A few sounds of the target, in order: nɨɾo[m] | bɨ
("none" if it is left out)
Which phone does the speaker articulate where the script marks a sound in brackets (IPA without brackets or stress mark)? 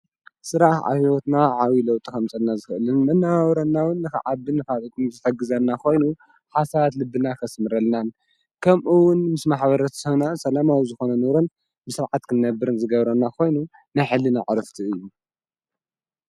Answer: n